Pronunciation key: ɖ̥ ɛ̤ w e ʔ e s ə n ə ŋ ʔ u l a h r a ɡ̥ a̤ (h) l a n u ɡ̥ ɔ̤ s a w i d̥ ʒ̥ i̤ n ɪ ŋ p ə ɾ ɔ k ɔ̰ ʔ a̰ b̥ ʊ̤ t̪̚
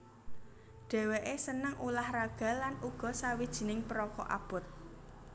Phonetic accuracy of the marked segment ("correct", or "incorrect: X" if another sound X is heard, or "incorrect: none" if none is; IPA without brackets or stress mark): incorrect: none